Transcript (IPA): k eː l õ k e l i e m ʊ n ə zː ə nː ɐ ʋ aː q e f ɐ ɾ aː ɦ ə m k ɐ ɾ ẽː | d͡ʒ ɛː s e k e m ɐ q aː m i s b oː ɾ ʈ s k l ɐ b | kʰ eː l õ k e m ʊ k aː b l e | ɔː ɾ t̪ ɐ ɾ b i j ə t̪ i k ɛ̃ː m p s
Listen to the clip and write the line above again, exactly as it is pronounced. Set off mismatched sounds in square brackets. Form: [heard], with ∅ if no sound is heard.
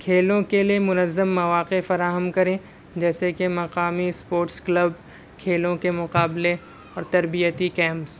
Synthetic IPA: [kʰ] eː l õ k e l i e m ʊ n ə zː ə [mː] ɐ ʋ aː q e f ɐ ɾ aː ɦ ə m k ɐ ɾ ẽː | d͡ʒ ɛː s e k e m ɐ q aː m i s [p] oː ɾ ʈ s k l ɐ b | kʰ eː l õ k e m ʊ [q] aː b l e | ɔː ɾ t̪ ɐ ɾ b i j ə t̪ i k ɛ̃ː m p s